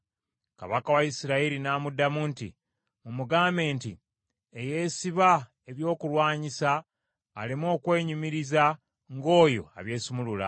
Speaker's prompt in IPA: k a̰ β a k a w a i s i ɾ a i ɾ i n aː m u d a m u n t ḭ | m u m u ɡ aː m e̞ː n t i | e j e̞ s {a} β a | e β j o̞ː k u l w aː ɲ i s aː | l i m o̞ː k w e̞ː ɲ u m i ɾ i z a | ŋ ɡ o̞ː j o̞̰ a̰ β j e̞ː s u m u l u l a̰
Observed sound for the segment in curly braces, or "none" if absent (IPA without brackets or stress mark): i